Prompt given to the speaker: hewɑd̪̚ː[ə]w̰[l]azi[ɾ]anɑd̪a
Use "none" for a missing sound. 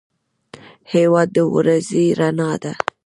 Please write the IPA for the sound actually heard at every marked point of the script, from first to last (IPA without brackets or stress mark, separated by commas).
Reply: ə, ɾ, ɾ